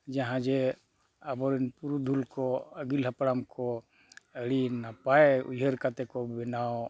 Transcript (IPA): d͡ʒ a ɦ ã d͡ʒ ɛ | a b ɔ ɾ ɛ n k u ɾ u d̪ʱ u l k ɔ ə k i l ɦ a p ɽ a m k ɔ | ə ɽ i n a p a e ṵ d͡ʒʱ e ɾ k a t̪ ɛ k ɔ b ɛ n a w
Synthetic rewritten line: d͡ʒ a ɦ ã d͡ʒ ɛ | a b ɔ ɾ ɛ n p u ɾ u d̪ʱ u l k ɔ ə ɡ i l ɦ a p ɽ a m k ɔ | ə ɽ i n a p a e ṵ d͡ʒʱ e ɾ k a t̪ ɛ k ɔ b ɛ n a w